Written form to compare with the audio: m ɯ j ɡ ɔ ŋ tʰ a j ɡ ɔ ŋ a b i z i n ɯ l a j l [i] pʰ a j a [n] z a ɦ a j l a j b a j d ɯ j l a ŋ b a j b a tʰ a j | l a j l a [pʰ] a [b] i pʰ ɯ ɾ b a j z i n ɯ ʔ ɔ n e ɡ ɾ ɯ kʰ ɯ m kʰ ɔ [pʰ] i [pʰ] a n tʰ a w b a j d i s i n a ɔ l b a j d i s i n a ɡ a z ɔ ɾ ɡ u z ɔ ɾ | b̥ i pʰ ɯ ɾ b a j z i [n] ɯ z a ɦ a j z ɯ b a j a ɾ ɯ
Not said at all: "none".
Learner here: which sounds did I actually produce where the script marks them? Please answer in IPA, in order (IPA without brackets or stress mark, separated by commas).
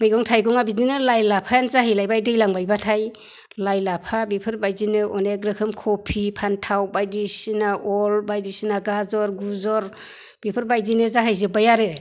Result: a, n, pʰ, b, pʰ, pʰ, n